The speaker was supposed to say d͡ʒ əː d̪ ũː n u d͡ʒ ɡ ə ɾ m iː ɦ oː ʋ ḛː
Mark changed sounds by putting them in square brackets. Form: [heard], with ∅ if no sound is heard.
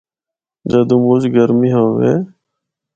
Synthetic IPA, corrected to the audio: d͡ʒ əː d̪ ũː [m] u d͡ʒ ɡ ə ɾ m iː ɦ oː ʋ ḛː